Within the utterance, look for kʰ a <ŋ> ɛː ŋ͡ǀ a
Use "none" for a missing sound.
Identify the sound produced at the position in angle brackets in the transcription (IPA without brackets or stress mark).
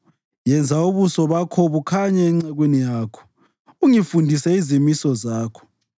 ɲ